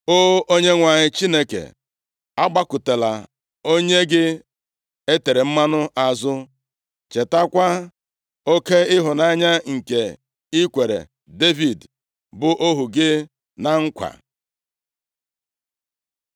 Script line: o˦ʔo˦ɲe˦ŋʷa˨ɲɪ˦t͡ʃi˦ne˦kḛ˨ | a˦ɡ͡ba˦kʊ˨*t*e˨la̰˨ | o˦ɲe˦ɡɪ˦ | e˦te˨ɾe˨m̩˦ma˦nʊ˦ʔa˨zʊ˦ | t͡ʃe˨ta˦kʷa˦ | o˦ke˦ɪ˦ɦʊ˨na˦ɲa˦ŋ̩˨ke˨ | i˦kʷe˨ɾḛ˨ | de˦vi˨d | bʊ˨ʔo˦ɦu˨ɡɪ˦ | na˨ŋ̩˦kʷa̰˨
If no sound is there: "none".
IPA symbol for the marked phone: t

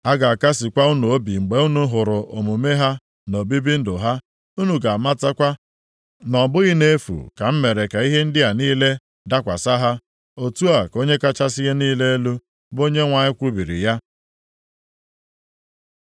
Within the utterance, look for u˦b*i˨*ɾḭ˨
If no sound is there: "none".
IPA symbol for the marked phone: i˨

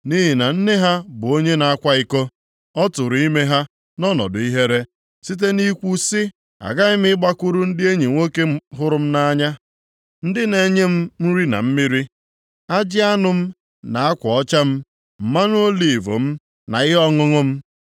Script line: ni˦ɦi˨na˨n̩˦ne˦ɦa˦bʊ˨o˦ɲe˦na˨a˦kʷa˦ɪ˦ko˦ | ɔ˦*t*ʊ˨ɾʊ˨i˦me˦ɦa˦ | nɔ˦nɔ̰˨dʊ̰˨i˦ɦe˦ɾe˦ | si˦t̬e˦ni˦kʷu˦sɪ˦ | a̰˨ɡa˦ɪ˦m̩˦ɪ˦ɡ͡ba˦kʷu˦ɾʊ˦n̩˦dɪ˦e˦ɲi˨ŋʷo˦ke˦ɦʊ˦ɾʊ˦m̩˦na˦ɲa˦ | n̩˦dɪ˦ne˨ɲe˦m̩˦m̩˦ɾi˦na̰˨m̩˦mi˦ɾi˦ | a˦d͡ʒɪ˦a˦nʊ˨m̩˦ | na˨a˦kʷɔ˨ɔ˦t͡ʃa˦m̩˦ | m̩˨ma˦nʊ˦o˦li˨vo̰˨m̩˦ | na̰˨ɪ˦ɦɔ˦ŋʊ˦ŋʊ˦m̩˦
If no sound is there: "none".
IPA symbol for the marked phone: t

